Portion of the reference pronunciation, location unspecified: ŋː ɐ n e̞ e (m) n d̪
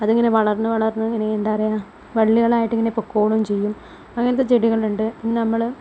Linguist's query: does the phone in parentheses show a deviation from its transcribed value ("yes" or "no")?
yes